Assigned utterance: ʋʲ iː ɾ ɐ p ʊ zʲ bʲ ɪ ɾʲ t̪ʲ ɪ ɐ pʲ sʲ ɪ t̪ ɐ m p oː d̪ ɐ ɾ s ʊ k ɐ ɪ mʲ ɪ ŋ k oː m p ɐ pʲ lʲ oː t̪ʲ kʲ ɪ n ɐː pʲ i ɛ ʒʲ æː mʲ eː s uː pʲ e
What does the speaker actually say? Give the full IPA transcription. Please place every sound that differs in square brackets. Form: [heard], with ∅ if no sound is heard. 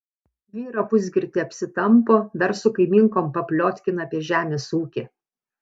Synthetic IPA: ʋʲ iː ɾ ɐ p ʊ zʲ [ɡʲ] ɪ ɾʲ t̪ʲ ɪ ɐ pʲ sʲ ɪ t̪ ɐ m p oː d̪ ɐ ɾ s ʊ k ɐ ɪ mʲ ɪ ŋ k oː m p ɐ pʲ lʲ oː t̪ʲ kʲ ɪ n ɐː pʲ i ɛ ʒʲ æː mʲ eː s uː [kʲ] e